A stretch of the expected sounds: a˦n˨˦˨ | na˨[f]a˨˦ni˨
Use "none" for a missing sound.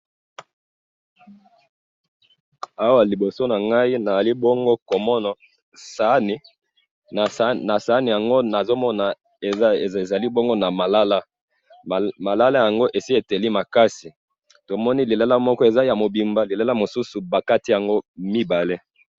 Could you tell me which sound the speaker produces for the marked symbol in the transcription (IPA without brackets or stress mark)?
s